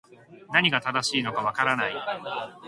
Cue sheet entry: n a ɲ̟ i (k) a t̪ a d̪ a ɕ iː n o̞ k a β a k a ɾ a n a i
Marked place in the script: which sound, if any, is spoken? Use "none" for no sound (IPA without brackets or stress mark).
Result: ɡ